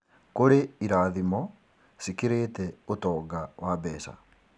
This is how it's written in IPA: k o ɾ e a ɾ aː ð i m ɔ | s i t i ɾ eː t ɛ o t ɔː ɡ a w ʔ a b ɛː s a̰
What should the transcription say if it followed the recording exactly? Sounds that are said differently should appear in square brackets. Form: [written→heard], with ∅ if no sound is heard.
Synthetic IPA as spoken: k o ɾ e [a→i] ɾ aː ð i m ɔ | s i [t→k] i ɾ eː t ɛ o t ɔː ɡ a w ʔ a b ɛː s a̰